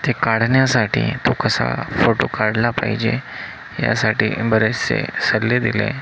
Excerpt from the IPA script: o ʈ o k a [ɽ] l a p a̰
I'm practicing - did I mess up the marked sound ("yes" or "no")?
no